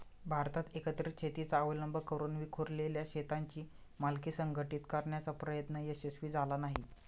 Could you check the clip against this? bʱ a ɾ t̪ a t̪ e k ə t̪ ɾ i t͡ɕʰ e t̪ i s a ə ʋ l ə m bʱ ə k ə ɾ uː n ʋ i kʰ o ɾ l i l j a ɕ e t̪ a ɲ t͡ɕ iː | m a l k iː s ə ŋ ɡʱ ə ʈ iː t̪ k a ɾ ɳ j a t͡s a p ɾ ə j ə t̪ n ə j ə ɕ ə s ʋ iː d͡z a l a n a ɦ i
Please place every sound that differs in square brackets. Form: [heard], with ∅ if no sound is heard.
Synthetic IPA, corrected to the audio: bʱ a ɾ t̪ a t̪ e k ə t̪ ɾ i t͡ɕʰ e t̪ i [t͡s] a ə ʋ l ə m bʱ ə k ə ɾ uː n ʋ i kʰ o ɾ l [e] l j a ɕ e t̪ a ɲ t͡ɕ iː | m a l k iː s ə ŋ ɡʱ ə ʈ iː t̪ k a ɾ ɳ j a t͡s a p ɾ ə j ə t̪ n ə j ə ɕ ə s ʋ iː d͡z a l a n a ɦ i